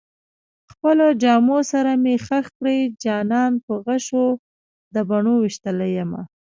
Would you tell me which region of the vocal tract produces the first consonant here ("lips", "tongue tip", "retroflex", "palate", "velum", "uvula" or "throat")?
velum